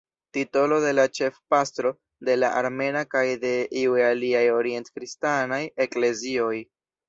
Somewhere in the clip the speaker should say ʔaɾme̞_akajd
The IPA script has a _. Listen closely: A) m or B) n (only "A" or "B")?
B